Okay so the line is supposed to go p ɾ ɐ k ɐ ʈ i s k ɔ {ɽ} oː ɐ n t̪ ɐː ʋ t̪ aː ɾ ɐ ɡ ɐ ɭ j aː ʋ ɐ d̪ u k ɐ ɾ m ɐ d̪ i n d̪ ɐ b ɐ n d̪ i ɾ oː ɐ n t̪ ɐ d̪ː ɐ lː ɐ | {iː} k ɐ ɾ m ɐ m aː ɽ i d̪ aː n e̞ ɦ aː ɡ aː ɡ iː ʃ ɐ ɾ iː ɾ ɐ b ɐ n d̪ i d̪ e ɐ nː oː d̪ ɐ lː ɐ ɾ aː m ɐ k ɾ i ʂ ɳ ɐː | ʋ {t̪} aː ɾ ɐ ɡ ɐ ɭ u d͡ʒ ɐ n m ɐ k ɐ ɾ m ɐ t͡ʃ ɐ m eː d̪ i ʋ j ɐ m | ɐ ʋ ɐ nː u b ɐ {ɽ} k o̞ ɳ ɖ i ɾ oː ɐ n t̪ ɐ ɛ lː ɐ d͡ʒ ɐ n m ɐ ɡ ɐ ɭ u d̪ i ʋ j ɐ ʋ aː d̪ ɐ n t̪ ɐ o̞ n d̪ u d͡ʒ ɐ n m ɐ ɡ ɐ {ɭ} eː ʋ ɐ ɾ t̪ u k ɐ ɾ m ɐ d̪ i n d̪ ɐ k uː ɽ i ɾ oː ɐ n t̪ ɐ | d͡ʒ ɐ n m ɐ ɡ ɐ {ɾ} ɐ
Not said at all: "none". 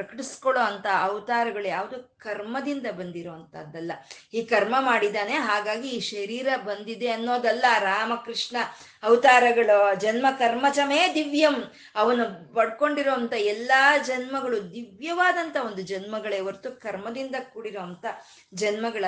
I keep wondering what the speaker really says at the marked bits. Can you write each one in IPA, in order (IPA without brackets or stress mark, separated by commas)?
ɭ, iː, t̪, ɽ, ɭ, ɭ